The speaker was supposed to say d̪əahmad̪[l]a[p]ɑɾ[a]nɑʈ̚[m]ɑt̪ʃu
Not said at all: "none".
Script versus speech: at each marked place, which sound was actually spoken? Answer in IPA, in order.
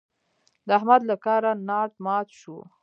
l, k, a, m

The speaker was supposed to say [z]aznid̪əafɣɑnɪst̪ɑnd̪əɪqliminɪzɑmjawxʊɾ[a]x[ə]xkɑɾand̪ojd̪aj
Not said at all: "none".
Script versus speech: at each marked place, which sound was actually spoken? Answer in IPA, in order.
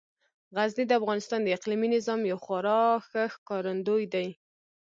ɣ, ɑ, ə

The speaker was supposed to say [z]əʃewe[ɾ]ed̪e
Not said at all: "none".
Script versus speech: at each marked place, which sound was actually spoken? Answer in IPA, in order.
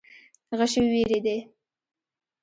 ɣ, ɾ

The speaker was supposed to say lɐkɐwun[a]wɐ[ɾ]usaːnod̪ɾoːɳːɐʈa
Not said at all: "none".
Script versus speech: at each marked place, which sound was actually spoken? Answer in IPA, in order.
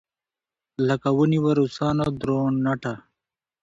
i, ɾ

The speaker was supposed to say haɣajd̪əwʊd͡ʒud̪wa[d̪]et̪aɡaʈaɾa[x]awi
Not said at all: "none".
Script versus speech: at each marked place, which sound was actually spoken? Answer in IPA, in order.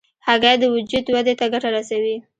d̪, s

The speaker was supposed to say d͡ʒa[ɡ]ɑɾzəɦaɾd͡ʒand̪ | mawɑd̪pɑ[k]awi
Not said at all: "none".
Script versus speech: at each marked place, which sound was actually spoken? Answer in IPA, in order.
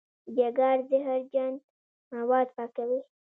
ɡ, k

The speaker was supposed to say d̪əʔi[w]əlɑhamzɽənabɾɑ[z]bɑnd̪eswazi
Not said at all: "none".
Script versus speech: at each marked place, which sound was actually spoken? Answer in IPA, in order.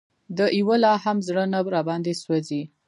w, none

